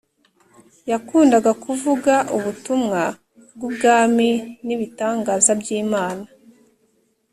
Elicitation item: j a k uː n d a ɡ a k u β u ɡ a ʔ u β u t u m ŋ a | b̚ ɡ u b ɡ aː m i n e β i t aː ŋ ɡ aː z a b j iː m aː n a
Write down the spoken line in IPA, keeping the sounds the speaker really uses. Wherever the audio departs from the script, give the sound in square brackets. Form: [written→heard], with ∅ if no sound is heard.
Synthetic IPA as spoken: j a k uː n d a ɡ a k u [β→v] u ɡ a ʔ u β u t u m ŋ a | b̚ ɡ u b ɡ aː m i n [e→i] β i t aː ŋ ɡ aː z a b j iː m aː n a